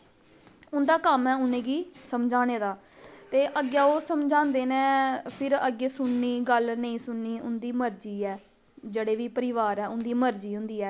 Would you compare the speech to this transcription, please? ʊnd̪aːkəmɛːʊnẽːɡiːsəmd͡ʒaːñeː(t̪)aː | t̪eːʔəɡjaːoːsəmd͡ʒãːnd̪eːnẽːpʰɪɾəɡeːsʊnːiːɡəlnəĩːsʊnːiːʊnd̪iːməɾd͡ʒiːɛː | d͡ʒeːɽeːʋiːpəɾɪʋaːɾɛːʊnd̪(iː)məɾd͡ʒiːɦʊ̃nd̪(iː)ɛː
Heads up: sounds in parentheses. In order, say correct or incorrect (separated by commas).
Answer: incorrect, correct, correct